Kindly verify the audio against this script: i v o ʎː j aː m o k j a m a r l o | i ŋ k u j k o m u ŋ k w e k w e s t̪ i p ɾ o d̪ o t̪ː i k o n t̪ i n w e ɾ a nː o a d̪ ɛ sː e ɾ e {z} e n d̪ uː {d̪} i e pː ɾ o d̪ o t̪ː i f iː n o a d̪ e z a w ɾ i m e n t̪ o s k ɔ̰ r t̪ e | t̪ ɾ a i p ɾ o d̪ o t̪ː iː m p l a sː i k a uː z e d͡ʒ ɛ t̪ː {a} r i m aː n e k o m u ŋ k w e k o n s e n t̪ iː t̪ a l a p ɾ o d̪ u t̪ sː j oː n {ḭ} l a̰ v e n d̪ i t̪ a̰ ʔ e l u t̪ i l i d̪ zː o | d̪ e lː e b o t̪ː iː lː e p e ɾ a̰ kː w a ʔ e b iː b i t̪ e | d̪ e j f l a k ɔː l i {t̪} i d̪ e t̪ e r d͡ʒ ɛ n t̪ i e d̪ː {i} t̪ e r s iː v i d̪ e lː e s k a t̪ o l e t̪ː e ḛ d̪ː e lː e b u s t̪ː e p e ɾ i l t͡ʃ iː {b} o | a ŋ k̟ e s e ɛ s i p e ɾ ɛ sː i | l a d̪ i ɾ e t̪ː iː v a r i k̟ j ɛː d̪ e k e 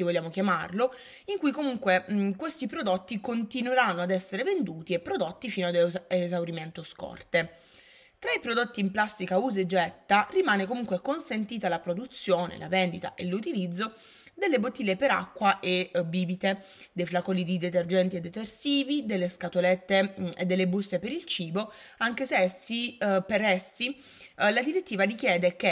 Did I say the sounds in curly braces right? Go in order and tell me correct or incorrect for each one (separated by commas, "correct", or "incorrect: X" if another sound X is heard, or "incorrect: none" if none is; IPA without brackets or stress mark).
incorrect: v, incorrect: t̪, correct, incorrect: ḛ, incorrect: d̪, incorrect: e, correct